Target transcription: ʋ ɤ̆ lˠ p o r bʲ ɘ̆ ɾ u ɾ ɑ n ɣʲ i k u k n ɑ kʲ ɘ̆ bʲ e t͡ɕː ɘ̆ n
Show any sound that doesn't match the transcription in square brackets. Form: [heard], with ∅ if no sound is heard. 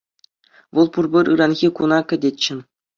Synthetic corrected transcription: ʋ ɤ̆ lˠ p [u] r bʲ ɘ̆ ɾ [ɯ] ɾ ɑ n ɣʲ i k u [∅] n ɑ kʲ ɘ̆ [dʲ] e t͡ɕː ɘ̆ n